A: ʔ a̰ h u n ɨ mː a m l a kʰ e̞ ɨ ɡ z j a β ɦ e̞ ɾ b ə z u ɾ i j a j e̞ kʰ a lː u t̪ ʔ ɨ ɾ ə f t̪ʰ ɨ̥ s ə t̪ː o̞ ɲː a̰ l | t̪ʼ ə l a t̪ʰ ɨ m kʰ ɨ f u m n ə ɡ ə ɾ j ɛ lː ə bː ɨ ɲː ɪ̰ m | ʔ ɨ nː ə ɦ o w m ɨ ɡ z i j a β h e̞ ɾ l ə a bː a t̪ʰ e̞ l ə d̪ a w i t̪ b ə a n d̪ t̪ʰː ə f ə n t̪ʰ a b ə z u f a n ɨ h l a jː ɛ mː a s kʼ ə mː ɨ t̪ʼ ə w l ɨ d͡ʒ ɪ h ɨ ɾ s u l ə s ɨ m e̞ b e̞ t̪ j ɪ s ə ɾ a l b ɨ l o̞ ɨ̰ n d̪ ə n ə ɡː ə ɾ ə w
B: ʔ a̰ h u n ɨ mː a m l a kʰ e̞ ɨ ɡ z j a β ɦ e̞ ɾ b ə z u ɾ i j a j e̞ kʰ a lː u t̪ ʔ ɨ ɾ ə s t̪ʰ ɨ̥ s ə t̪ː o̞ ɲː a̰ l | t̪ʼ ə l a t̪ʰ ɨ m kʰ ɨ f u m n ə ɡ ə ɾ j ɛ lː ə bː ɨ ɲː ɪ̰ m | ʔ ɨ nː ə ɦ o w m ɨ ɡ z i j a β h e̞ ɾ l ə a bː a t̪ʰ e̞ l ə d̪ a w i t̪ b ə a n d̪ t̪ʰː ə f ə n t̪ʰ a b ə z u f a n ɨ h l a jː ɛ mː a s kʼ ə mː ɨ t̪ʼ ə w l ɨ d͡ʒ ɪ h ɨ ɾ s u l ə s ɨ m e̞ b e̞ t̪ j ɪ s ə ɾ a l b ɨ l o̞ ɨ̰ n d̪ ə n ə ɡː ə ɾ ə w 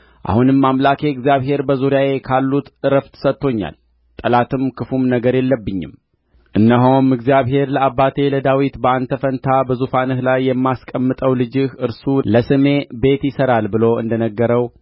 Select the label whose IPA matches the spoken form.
A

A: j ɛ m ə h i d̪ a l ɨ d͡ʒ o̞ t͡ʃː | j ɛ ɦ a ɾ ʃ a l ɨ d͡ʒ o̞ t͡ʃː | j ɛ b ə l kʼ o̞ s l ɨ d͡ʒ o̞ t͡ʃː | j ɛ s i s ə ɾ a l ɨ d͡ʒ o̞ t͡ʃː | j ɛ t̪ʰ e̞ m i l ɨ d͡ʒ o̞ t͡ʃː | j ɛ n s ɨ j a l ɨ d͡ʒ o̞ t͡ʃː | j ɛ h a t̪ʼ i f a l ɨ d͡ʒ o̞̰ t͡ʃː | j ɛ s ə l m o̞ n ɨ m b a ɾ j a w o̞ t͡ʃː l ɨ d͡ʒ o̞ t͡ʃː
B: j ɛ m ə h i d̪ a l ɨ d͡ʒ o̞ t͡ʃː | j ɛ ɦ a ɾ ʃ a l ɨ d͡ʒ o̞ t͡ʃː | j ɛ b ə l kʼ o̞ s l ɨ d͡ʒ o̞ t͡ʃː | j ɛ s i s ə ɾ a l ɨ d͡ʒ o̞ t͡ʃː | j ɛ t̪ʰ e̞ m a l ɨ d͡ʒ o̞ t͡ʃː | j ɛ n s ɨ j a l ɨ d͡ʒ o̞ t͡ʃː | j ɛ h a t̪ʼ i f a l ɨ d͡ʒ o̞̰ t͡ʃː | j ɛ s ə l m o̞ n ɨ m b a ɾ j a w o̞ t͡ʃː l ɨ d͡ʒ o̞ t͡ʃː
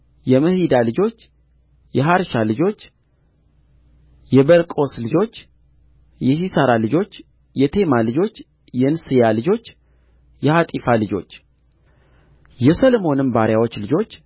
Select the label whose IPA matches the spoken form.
B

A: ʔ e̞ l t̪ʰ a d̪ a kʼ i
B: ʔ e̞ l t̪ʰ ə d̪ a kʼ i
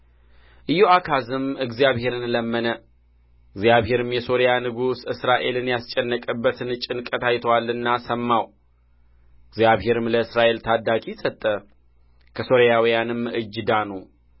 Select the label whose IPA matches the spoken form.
A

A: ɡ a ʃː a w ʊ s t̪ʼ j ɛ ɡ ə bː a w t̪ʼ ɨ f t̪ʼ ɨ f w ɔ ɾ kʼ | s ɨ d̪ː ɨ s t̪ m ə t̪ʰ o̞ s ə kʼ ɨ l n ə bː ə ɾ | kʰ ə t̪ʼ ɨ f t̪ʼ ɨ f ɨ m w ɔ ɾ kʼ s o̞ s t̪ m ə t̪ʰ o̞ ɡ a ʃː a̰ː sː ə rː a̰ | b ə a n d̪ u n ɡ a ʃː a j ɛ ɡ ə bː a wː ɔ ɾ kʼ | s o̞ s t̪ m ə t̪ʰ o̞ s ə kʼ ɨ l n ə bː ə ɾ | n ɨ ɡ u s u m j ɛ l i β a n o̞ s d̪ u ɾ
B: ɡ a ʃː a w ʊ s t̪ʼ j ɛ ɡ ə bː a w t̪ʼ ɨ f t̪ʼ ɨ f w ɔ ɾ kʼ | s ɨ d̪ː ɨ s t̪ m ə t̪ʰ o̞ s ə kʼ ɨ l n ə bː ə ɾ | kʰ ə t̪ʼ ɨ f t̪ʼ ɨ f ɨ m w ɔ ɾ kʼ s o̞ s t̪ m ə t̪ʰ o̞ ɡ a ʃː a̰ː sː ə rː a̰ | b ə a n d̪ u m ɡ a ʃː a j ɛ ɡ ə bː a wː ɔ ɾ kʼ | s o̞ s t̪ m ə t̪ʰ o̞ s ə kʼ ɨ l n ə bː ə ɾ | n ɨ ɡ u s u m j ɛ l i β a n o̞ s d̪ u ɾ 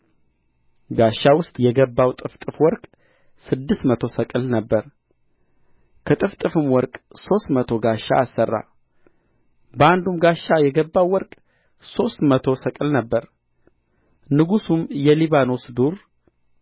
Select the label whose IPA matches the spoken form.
B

